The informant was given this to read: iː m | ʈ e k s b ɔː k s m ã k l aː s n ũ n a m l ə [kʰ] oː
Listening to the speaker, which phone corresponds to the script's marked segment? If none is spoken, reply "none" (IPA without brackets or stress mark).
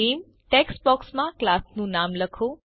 kʰ